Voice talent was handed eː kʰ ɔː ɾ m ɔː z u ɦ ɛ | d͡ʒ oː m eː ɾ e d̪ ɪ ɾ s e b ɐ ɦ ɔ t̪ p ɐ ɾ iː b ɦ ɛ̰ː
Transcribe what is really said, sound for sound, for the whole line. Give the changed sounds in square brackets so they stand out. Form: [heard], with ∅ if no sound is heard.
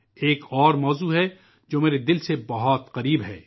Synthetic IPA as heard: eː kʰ ɔː ɾ m ɔː z u ɦ ɛ | d͡ʒ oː m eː ɾ e d̪ ɪ [l] s e b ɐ ɦ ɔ t̪ [q] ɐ ɾ iː b ɦ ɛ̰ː

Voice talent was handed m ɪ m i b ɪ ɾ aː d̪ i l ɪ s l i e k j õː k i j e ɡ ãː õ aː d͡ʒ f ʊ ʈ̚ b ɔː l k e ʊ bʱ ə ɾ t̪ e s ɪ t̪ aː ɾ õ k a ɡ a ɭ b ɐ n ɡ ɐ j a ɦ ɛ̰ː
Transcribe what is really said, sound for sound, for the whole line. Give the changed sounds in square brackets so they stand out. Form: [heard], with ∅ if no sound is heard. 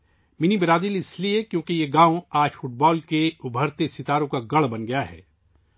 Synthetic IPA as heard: m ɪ [n] i b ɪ ɾ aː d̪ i l ɪ s l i e k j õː k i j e ɡ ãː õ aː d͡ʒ f ʊ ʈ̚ b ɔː l k e ʊ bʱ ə ɾ t̪ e s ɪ t̪ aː ɾ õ k a ɡ [ɐ] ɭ b ɐ n ɡ ɐ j a ɦ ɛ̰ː

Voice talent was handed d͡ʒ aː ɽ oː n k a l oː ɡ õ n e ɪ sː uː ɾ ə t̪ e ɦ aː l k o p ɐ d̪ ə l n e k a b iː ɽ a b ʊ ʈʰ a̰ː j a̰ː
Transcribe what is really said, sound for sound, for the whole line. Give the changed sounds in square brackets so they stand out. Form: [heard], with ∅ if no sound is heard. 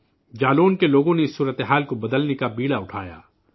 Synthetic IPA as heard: d͡ʒ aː [l] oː n k [e] l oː ɡ õ n e ɪ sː uː ɾ ə t̪ e ɦ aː l k o [b] ɐ d̪ ə l n e k a b iː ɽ a [∅] ʊ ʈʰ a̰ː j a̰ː

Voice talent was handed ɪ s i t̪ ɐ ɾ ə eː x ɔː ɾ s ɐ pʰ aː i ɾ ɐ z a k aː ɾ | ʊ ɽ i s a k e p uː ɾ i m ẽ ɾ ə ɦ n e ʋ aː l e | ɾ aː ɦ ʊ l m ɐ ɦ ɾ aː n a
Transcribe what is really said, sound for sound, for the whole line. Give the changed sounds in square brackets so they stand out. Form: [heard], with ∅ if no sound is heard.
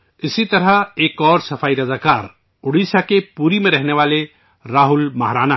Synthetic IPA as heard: ɪ s i t̪ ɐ ɾ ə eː [k] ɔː ɾ s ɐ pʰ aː i ɾ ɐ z a k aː ɾ | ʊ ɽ i s a k e p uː ɾ i m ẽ ɾ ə ɦ n e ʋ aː l e | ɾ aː ɦ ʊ l m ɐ ɦ ɾ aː n a

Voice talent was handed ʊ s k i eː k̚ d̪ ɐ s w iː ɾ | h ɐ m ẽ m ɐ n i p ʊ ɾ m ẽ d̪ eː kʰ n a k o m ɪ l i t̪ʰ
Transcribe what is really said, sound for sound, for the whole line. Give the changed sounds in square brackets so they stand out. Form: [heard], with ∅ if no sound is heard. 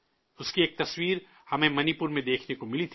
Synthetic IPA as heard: ʊ s k i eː k̚ [t̪] ɐ s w iː ɾ | h ɐ m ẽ m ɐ n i p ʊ ɾ m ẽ d̪ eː kʰ n [e] k o m ɪ l i t̪ʰ

